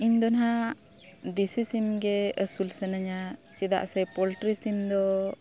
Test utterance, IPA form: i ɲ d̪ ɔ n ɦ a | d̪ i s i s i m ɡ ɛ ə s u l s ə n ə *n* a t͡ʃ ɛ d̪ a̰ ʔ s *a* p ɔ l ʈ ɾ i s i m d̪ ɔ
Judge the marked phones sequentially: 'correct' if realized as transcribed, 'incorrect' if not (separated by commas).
incorrect, incorrect